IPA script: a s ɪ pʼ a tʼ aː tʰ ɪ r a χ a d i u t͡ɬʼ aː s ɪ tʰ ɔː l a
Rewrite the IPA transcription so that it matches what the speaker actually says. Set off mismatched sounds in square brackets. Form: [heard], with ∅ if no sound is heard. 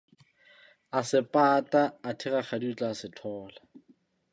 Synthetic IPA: a s ɪ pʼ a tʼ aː tʰ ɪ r a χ a d i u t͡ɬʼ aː s ɪ tʰ ɔː l a